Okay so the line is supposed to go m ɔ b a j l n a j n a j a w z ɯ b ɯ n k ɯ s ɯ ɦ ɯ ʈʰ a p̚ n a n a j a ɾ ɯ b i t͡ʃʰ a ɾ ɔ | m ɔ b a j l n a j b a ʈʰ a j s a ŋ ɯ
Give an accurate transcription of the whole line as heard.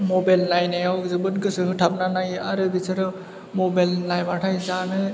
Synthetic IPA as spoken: m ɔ b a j l n a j n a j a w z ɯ b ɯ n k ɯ s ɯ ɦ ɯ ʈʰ a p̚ n a n a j a ɾ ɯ b i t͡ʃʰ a ɾ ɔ | m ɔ b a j l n a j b a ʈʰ a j z a n ɯ